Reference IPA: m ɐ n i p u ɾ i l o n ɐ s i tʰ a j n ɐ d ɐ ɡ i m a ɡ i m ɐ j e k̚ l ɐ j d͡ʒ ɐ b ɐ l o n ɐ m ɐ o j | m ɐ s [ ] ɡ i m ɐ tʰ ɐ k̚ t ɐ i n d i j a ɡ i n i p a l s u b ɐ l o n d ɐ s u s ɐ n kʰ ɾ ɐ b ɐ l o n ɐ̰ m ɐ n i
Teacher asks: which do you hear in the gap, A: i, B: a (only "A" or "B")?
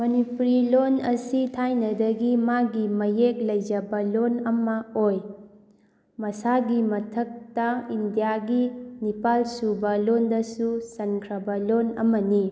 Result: B